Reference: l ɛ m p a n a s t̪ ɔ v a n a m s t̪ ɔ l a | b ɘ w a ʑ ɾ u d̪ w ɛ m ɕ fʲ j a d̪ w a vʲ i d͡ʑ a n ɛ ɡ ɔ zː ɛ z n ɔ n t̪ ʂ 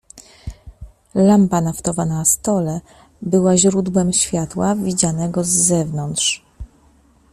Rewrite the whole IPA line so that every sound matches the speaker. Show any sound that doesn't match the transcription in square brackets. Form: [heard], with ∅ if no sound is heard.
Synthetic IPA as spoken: l [a] m p a n a [f] t̪ ɔ v a n a [∅] s t̪ ɔ l [ɛ] | b ɘ w a ʑ ɾ u d̪ w ɛ m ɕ fʲ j a [t̪] w a vʲ i d͡ʑ a n ɛ ɡ ɔ zː ɛ [v] n ɔ n t̪ ʂ